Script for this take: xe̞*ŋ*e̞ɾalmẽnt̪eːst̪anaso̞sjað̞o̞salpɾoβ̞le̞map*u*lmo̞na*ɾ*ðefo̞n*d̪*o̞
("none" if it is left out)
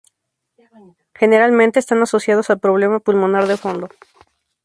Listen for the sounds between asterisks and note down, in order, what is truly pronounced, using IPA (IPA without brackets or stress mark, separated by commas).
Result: n, u, ɾ, d̪